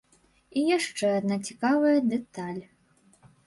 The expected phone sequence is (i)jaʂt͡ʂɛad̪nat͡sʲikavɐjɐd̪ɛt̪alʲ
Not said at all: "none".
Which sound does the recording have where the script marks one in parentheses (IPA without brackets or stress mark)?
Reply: i